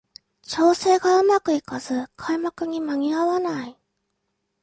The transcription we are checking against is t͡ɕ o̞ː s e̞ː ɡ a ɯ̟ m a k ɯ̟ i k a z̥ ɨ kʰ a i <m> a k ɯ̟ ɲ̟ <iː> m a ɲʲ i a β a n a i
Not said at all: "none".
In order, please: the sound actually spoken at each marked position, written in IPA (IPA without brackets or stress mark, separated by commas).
m, i